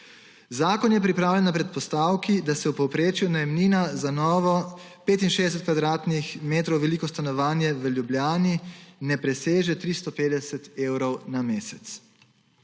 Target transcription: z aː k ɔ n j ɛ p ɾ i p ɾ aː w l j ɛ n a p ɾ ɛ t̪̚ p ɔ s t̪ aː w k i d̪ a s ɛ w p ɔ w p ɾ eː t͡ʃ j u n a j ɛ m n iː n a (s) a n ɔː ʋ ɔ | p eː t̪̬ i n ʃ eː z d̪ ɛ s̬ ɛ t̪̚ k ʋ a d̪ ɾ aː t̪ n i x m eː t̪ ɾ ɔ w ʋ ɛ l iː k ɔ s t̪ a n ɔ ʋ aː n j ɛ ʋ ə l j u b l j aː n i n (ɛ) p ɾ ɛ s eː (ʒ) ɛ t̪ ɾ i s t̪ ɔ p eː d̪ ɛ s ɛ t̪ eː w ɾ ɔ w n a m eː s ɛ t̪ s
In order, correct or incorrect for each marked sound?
incorrect: z, correct, correct

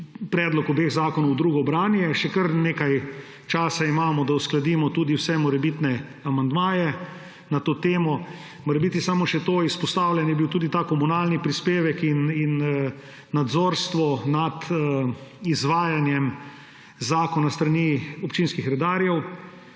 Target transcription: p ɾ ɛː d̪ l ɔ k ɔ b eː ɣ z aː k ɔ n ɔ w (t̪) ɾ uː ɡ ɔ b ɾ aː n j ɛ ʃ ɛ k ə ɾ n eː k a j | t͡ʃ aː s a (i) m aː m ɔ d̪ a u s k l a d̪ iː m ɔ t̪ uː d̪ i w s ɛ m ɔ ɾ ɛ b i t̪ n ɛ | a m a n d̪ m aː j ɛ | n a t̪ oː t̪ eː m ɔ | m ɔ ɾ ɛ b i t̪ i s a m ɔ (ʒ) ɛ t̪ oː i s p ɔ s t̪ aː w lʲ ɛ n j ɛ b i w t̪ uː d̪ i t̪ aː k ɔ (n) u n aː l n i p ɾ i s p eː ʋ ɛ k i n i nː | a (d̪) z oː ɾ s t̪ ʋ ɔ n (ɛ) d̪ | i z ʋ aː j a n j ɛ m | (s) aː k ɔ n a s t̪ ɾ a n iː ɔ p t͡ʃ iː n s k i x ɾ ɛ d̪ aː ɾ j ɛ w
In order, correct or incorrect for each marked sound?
incorrect: d̪, correct, incorrect: ʃ, incorrect: m, correct, incorrect: a, incorrect: z

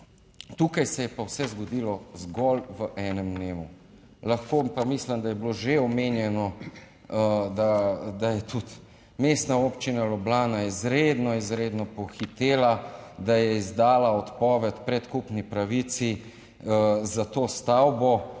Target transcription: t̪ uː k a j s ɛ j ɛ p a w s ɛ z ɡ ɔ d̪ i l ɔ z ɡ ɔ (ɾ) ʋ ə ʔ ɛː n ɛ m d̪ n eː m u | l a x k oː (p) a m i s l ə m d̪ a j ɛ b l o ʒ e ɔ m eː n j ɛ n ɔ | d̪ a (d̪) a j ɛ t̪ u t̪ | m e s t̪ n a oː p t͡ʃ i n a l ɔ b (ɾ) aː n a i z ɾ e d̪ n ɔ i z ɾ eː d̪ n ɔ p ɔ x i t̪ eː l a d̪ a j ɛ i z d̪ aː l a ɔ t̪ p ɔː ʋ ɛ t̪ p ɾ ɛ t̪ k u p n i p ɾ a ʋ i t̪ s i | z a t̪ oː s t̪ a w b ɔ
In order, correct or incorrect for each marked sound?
incorrect: l, correct, correct, incorrect: l

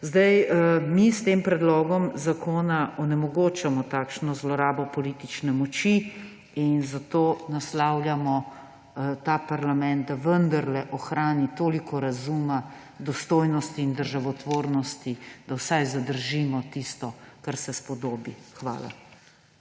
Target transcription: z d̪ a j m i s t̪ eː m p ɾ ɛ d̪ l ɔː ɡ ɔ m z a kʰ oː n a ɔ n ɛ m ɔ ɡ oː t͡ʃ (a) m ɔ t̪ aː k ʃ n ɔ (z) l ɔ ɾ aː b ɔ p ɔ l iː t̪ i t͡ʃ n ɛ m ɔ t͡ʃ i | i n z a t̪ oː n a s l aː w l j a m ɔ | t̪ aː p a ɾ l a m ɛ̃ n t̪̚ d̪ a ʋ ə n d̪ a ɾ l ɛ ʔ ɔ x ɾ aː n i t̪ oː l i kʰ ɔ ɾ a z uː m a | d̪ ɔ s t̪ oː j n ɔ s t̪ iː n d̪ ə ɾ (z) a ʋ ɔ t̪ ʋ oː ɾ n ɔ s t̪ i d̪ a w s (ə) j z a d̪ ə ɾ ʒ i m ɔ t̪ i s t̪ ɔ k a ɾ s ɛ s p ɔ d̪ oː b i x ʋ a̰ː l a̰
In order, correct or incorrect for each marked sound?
correct, correct, incorrect: ʒ, incorrect: a

